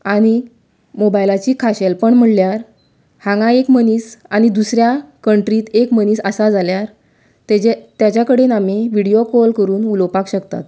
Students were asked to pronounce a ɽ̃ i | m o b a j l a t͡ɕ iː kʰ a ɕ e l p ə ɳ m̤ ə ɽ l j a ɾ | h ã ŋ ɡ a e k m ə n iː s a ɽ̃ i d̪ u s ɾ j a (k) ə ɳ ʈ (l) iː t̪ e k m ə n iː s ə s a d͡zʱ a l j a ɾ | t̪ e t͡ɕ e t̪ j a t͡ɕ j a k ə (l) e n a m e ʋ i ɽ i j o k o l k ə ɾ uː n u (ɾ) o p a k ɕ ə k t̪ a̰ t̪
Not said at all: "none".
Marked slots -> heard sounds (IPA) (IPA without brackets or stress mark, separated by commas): k, ɾ, ɽ, l